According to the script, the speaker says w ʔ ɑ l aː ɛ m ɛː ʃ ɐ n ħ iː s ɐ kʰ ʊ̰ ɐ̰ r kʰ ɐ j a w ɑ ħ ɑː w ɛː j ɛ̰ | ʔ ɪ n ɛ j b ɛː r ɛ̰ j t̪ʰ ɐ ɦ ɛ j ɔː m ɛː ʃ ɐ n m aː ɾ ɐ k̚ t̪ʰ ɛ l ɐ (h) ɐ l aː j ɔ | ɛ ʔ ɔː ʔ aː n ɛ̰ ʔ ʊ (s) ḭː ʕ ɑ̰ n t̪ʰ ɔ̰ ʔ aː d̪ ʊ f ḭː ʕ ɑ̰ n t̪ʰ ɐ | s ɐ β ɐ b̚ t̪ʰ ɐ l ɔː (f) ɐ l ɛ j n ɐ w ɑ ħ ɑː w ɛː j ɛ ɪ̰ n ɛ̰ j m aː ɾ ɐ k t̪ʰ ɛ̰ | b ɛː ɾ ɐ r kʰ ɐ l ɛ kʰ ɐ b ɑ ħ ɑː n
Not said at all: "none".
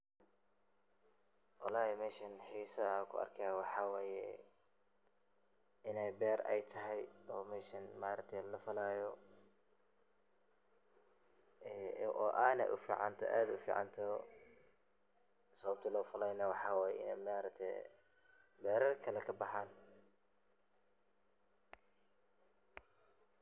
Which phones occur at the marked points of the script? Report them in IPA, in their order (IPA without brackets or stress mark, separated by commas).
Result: f, f, f